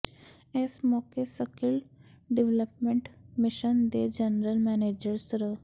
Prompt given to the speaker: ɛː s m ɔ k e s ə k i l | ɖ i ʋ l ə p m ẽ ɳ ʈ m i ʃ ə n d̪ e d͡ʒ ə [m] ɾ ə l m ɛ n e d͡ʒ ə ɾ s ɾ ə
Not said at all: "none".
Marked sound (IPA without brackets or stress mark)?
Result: n